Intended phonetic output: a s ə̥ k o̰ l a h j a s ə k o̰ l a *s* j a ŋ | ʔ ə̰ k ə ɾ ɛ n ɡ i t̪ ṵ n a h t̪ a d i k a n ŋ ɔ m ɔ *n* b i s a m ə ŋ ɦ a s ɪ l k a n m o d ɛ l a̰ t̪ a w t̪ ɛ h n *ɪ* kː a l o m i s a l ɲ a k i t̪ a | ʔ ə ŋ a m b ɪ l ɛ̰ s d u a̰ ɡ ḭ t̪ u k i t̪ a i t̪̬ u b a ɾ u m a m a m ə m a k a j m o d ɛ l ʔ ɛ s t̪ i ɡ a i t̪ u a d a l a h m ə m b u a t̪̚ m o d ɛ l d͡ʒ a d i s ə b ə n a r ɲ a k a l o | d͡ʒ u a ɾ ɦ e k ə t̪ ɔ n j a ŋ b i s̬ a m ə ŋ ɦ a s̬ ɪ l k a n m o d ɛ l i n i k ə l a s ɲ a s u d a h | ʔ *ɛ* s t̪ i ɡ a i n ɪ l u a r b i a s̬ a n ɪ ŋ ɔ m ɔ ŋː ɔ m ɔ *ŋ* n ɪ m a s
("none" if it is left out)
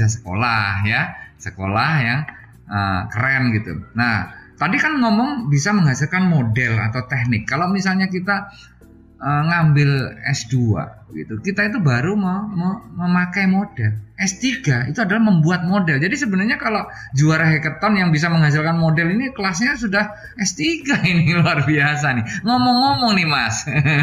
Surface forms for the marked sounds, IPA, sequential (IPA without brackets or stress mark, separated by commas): h, ŋ, ɪ, ɛ, ŋ